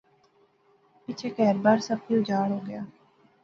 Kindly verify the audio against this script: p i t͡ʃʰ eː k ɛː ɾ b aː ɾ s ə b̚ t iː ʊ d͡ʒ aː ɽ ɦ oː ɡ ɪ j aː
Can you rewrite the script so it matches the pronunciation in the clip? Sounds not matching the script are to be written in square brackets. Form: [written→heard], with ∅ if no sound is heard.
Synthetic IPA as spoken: p [i→ɪ] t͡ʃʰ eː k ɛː ɾ b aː ɾ s ə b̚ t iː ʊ d͡ʒ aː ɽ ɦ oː ɡ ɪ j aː